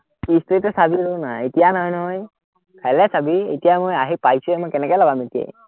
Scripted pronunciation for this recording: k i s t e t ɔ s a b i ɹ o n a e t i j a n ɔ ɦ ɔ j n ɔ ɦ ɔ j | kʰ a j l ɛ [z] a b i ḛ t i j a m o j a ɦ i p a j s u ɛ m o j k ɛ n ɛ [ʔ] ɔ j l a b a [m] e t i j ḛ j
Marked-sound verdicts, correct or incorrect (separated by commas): incorrect, incorrect, correct